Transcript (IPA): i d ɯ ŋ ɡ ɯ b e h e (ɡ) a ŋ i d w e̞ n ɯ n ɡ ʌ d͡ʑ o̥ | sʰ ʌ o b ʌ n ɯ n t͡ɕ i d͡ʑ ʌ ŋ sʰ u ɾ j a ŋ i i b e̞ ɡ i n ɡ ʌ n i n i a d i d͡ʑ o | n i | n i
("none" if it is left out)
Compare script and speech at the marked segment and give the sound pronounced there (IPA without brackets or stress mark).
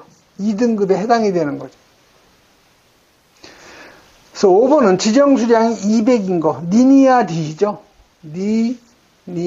d